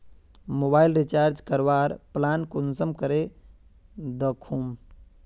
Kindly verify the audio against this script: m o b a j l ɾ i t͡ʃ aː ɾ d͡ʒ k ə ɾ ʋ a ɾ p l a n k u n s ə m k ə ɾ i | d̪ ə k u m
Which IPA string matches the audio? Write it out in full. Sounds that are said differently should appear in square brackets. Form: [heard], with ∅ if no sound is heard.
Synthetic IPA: m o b a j l ɾ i t͡ʃ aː ɾ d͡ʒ k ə ɾ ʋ a ɾ p l a n k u n s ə m k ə ɾ [e] | d̪ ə [kʰ] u m